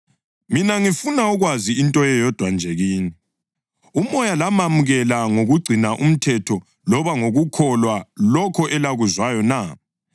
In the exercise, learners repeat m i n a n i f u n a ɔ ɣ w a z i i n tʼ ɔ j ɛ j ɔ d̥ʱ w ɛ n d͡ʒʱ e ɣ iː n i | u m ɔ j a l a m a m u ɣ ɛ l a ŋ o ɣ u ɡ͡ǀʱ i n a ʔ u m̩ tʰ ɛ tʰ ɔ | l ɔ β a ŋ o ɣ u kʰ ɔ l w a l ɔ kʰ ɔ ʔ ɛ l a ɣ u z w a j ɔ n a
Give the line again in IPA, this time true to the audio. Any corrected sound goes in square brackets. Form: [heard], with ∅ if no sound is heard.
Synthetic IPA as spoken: m i n a [ŋ] i f u n a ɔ ɣ w a z i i n tʼ ɔ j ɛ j ɔ d̥ʱ w [a] n d͡ʒʱ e ɣ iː n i | u m ɔ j a l a m a m u ɣ ɛ l a ŋ o ɣ u ɡ͡ǀʱ i n a ʔ u m̩ tʰ ɛ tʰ ɔ | l ɔ β a ŋ o ɣ u kʰ ɔ l w a l ɔ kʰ ɔ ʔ ɛ l a ɣ u z w a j ɔ n a